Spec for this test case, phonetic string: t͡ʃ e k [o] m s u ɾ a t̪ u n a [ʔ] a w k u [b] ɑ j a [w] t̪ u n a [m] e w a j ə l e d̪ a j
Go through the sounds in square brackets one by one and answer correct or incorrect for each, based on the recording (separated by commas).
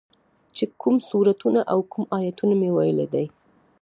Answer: incorrect, correct, incorrect, incorrect, correct